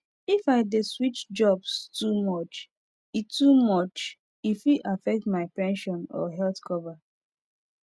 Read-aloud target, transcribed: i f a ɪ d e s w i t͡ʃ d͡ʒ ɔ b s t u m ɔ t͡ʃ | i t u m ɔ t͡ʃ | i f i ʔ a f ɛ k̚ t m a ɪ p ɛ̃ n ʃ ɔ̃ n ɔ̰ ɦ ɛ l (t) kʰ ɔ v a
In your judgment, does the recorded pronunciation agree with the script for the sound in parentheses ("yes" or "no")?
yes